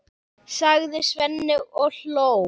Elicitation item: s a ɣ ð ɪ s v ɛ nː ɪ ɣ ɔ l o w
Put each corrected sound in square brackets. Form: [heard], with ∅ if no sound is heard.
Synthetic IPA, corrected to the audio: s a ɣ ð ɪ s v ɛ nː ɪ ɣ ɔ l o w